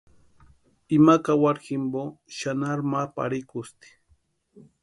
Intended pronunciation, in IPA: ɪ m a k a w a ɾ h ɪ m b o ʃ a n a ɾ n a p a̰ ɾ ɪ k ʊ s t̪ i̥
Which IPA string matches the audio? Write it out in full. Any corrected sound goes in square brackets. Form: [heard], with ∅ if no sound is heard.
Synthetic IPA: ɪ m a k a w a ɾ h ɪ m b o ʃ a n a ɾ [m] a p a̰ ɾ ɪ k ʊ s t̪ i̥